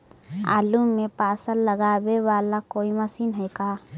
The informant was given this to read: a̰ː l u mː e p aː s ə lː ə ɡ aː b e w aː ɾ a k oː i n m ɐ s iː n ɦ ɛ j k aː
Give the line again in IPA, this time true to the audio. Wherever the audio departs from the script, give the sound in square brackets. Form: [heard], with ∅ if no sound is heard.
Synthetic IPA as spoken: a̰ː l u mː e p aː s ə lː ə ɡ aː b e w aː [l] a k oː i [∅] m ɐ s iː n ɦ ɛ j k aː